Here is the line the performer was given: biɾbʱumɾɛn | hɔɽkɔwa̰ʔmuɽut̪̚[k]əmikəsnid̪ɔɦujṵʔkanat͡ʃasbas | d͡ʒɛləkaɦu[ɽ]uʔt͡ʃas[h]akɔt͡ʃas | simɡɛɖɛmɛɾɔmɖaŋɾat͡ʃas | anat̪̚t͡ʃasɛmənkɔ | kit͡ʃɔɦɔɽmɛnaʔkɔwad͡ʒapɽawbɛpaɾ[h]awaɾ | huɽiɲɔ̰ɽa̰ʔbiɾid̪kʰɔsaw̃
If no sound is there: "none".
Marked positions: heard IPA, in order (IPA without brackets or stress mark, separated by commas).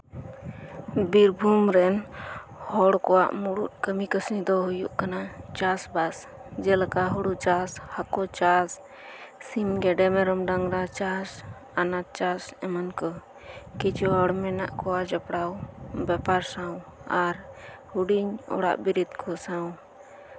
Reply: k, ɽ, h, s